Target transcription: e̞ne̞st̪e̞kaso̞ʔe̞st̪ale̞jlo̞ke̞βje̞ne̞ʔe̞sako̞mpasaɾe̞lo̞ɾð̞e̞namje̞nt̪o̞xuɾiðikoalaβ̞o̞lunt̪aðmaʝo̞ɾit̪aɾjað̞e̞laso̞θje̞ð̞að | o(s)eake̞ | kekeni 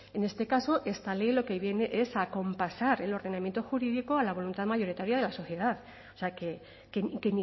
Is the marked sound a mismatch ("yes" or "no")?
no